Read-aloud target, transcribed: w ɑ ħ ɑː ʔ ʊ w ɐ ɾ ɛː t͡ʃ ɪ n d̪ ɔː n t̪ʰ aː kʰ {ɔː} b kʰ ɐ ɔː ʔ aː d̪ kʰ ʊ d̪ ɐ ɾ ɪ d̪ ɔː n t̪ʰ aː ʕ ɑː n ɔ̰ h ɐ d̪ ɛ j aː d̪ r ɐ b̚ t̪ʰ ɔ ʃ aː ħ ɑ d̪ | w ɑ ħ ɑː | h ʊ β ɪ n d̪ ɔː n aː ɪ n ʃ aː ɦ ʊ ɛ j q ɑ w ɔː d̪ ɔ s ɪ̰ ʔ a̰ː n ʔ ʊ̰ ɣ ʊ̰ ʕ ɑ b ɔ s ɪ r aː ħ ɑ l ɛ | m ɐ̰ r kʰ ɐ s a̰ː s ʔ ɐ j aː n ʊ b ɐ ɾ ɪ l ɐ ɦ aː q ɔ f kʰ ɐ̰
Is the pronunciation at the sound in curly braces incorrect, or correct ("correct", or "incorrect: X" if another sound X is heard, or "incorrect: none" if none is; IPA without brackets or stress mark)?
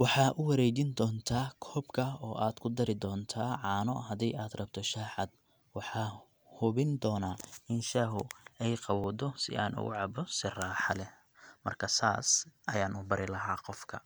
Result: correct